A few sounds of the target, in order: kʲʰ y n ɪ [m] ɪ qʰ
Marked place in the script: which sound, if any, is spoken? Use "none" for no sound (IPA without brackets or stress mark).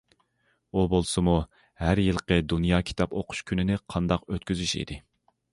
n